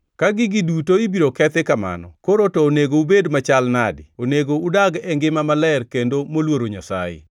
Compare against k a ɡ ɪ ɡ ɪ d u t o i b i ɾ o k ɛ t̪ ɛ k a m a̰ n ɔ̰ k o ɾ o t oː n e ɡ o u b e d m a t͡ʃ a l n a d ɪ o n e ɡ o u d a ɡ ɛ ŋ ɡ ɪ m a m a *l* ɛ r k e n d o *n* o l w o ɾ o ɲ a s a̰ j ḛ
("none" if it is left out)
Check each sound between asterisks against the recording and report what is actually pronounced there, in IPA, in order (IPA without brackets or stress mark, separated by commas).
l, m